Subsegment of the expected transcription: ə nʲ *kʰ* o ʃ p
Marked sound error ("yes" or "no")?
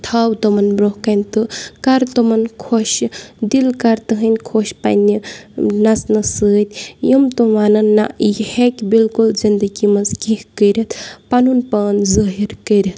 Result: no